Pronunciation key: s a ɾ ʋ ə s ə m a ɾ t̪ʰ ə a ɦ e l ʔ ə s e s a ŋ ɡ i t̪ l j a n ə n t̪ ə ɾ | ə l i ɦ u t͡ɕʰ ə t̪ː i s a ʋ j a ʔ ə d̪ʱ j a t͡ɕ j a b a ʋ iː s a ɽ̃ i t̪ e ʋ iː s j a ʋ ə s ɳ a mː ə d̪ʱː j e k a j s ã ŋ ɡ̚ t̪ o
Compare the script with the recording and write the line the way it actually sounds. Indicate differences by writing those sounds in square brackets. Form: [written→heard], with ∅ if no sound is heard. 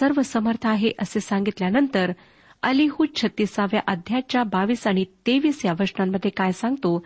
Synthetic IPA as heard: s [a→ə] ɾ ʋ ə s ə m [a→ə] ɾ t̪ʰ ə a ɦ e [l→∅] ʔ ə s e s a ŋ ɡ i t̪ l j a n ə n t̪ ə ɾ | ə l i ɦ u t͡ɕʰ ə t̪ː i s a ʋ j a ʔ ə d̪ʱ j a t͡ɕ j a b a ʋ iː s a ɽ̃ i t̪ e ʋ iː s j a ʋ ə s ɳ a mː ə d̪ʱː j e k a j s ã ŋ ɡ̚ t̪ o